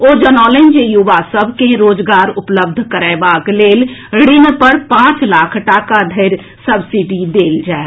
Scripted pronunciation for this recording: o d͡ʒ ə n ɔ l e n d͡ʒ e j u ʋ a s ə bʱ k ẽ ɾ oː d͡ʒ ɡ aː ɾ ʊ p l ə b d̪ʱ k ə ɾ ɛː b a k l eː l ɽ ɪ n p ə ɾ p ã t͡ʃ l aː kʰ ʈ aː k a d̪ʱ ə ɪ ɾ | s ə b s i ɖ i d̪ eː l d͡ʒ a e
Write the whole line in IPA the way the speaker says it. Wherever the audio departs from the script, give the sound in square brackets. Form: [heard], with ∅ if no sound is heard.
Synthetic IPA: o d͡ʒ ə n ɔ l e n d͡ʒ e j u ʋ a s ə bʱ k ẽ ɾ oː d͡ʒ ɡ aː ɾ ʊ p l ə b d̪ʱ k ə ɾ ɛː b a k l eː l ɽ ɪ n p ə ɾ p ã t͡ʃ l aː kʰ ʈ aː k a d̪ʱ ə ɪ ɾ | s ə b s i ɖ i d̪ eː l d͡ʒ a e